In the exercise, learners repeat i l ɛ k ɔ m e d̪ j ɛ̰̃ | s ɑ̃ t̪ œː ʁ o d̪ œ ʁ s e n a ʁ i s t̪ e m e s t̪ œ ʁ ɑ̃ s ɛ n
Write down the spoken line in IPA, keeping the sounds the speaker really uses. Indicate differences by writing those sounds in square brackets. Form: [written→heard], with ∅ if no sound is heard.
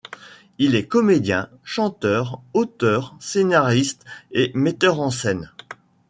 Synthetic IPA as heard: i l ɛ k ɔ m e d̪ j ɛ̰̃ | [s→ʃ] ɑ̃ t̪ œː ʁ o [d̪→t̪] œ ʁ s e n a ʁ i s t̪ e m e [s→∅] t̪ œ ʁ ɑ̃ s ɛ n